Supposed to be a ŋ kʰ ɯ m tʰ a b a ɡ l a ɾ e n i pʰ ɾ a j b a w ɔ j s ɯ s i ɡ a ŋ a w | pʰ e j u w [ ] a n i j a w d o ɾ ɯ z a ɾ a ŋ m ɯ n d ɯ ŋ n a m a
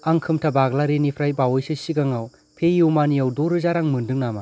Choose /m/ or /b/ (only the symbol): m